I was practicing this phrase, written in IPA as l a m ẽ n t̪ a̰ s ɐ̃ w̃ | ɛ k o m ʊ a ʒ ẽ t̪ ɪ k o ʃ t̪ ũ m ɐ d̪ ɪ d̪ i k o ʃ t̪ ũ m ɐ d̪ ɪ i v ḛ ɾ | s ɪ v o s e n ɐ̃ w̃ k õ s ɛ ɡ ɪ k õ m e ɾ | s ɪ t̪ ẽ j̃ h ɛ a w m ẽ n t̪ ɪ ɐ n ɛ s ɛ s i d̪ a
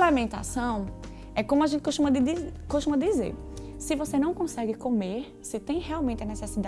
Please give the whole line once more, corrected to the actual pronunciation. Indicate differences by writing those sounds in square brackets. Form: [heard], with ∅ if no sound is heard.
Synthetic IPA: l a m ẽ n t̪ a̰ s ɐ̃ w̃ | ɛ k [õ] m ʊ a ʒ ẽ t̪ ɪ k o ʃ t̪ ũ m ɐ d̪ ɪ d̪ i k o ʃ t̪ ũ m ɐ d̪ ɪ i [z] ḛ ɾ | s ɪ v o s e n ɐ̃ w̃ k õ s ɛ ɡ ɪ k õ m e ɾ | s ɪ t̪ ẽ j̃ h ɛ a w m ẽ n t̪ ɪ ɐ n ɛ s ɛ s i d̪ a